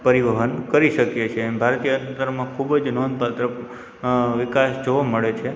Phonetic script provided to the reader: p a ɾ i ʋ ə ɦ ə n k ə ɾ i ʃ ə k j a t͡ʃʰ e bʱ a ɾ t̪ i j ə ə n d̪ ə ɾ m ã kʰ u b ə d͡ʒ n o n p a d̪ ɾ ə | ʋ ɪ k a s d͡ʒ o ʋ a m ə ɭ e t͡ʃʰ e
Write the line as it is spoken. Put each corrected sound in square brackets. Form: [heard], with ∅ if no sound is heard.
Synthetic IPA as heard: p [ə] ɾ i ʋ ə ɦ ə n k ə ɾ i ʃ ə k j [e] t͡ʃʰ e bʱ a ɾ t̪ i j ə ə n [t̪] ə ɾ m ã kʰ u b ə d͡ʒ n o n p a [t̪] ɾ ə | ʋ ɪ k a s d͡ʒ o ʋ a m ə ɭ e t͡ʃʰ e